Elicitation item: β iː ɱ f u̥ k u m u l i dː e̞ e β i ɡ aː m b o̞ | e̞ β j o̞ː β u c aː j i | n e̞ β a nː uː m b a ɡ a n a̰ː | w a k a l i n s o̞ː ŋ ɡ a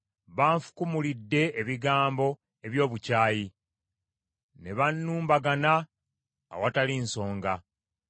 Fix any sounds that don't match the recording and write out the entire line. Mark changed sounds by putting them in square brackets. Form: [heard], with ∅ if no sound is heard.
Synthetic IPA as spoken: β [aː] ɱ f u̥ k u m u l i dː e̞ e β i ɡ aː m b o̞ | e̞ β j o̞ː β u c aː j i | n e̞ β a nː uː m b a ɡ a n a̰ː | w a [t] a l i n s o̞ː ŋ ɡ a